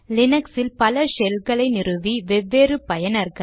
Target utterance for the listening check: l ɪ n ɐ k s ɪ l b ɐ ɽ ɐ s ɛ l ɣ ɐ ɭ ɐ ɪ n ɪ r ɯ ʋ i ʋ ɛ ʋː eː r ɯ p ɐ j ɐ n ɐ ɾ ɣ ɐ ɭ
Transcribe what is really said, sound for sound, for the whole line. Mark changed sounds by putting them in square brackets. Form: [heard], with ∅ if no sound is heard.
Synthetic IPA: l ɪ n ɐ k s ɪ l [p] ɐ [l] ɐ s ɛ l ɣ ɐ ɭ ɐ ɪ n ɪ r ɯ ʋ i ʋ ɛ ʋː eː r ɯ p ɐ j ɐ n ɐ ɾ ɣ ɐ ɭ